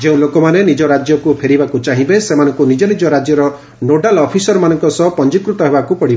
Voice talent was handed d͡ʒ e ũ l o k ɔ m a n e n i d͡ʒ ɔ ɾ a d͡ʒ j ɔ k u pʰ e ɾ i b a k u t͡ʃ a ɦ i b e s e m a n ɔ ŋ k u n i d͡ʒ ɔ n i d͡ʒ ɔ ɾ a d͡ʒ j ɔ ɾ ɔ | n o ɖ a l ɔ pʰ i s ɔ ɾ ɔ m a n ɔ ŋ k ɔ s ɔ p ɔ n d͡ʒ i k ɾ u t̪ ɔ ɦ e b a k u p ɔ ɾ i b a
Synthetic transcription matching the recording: d͡ʒ e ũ l o k ɔ m a n e n i d͡ʒ ɔ ɾ a d͡ʒ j ɔ k u pʰ e ɾ i b a k u t͡ʃ a ɦ i b e s e m a n ɔ ŋ k u n i d͡ʒ ɔ n i d͡ʒ ɔ ɾ a d͡ʒ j ɔ ɾ ɔ | n o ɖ a l ɔ pʰ i s ɔ ɾ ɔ m a n ɔ ŋ k ɔ s ɔ p ɔ n d͡ʒ i k ɾ u t̪ ɔ ɦ e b a k u p ɔ ɽ i b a

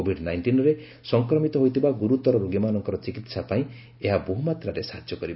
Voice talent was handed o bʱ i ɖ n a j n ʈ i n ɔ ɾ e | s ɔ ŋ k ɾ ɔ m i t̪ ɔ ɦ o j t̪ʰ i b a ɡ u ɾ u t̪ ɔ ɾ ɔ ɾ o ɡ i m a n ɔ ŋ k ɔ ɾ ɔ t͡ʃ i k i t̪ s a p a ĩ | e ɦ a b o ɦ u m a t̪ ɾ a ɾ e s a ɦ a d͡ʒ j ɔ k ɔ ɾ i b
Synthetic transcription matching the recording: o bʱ i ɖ n a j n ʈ i n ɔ ɾ e | s ɔ ŋ k ɾ ɔ m i t̪ ɔ ɦ o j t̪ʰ i b a ɡ u ɾ u t̪ ɔ ɾ ɔ ɾ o ɡ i m a n ɔ ŋ k ɔ ɾ ɔ t͡ʃ i k i t̪ s a p a ĩ | e ɦ a b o ɦ u m a t̪ ɾ a ɾ e s a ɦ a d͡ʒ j ɔ k ɔ ɾ i b

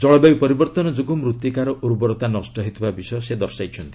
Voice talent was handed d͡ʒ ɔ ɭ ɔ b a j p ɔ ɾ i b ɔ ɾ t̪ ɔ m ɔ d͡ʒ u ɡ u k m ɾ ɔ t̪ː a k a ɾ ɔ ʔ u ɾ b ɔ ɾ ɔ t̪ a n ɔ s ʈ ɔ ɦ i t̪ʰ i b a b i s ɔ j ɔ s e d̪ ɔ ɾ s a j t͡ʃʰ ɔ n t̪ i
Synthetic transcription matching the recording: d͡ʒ ɔ ɭ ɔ b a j p ɔ ɾ i b ɔ ɾ t̪ ɔ n ɔ d͡ʒ u ɡ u m ɾ u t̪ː i k a ɾ ɔ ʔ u ɾ b ɔ ɾ ɔ t̪ a n ɔ s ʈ ɔ ɦ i t̪ʰ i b a b i s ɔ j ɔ s e d̪ ɔ ɾ s a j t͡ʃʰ ɔ n t̪ i

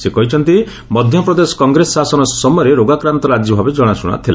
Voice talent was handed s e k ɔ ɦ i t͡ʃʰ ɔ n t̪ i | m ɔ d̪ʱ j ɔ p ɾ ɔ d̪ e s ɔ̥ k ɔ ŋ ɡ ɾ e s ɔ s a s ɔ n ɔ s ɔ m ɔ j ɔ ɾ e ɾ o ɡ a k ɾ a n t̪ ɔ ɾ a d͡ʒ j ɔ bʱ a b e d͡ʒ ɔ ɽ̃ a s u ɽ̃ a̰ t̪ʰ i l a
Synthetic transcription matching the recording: s e k ɔ ɦ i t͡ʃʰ ɔ n t̪ i | m ɔ d̪ʱ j ɔ p ɾ ɔ d̪ e s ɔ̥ k ɔ ŋ ɡ ɾ e s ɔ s a s ɔ n ɔ s ɔ m ɔ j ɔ ɾ e ɾ o ɡ a k ɾ a n t̪ ɔ ɾ a d͡ʒ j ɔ bʱ a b e d͡ʒ ɔ ɽ̃ a s u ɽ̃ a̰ t̪ʰ i l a

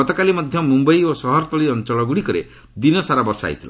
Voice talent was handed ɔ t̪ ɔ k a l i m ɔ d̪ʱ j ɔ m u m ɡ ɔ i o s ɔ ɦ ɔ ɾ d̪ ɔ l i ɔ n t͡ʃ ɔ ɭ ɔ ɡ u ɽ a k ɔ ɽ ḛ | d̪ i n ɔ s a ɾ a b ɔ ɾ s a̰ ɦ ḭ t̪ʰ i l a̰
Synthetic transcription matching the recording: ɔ t̪ ɔ k a l i m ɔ d̪ʱ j ɔ m u m b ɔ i o s ɔ ɦ ɔ ɾ t̪ ɔ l i ɔ n t͡ʃ ɔ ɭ ɔ ɡ u ɽ i k ɔ ɾ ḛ | d̪ i n ɔ s a ɾ a b ɔ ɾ s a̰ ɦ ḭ t̪ʰ i l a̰

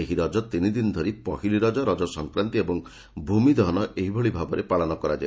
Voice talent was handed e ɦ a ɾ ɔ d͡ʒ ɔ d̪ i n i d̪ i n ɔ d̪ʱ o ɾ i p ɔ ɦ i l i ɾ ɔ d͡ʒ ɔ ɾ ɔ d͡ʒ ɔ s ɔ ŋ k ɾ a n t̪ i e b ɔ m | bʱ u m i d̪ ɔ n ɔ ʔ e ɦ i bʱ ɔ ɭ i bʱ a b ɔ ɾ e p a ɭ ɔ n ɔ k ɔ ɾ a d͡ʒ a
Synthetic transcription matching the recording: e ɦ i ɾ ɔ d͡ʒ ɔ t̪ i n i d̪ i n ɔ d̪ʱ o ɾ i p ɔ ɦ i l i ɾ ɔ d͡ʒ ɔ ɾ ɔ d͡ʒ ɔ s ɔ ŋ k ɾ a n t̪ i e b ɔ ŋ | bʱ u m i d̪ ɔ n ɔ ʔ e ɦ i bʱ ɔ ɭ i bʱ a b ɔ ɾ e p a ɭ ɔ n ɔ k ɔ ɾ a d͡ʒ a

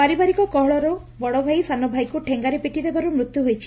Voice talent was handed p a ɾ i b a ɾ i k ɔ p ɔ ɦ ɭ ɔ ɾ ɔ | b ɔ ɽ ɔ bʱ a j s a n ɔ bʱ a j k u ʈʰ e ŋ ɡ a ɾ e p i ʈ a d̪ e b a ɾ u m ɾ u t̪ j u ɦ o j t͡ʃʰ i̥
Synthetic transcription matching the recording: p a ɾ i b a ɾ i k ɔ k ɔ ɦ ɭ ɔ ɾ ɔ | b ɔ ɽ ɔ bʱ a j s a n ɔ bʱ a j k u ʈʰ e ŋ ɡ a ɾ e p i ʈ i d̪ e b a ɾ u m ɾ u t̪ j u ɦ o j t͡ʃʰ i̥

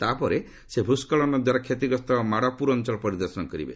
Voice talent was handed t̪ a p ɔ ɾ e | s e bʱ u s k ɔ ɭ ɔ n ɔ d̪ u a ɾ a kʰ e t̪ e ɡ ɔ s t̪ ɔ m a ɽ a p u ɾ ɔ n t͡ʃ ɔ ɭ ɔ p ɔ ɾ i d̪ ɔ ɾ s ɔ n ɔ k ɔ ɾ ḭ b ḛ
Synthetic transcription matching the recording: t̪ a p ɔ ɾ e | s e bʱ u s k ɔ ɭ ɔ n ɔ d̪ w a ɾ a kʰ e t̪ i ɡ ɔ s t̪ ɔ m a ɽ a p u ɾ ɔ n t͡ʃ ɔ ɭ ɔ p ɔ ɾ i d̪ ɔ ɾ s ɔ n ɔ k ɔ ɾ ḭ b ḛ

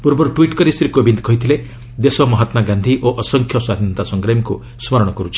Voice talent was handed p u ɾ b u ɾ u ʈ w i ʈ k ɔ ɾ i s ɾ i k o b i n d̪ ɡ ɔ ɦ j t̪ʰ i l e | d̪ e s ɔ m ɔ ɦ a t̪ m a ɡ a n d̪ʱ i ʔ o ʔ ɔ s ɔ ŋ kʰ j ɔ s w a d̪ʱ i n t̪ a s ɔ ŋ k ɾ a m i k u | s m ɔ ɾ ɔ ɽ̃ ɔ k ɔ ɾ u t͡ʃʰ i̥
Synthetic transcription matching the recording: p u ɾ b ɔ ɾ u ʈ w i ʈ k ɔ ɾ i s ɾ i k o b i n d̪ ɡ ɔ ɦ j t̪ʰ i l e | d̪ e s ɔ m ɔ ɦ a t̪ m a ɡ a n d̪ʱ i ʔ o ʔ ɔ s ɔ ŋ kʰ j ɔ s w a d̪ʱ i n t̪ a s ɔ ŋ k ɾ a m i k u | s m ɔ ɾ ɔ ɽ̃ ɔ k ɔ ɾ u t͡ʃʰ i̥

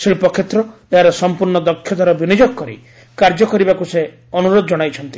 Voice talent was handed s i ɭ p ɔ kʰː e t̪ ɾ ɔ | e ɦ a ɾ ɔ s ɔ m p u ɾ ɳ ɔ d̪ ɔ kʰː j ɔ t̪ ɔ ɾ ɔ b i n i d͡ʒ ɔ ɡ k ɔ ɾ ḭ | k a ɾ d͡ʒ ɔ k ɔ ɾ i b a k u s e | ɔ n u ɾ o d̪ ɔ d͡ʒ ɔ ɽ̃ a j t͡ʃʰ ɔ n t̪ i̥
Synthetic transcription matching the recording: s i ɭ p ɔ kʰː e t̪ ɾ ɔ | e ɦ a ɾ ɔ s ɔ m p u ɾ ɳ ɔ d̪ ɔ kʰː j ɔ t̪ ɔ ɾ ɔ b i n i d͡ʒ ɔ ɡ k ɔ ɾ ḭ | k a ɾ d͡ʒ ɔ k ɔ ɾ i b a k u s e | ɔ n u ɾ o d̪ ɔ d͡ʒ ɔ ɽ̃ a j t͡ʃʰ ɔ n t̪ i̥

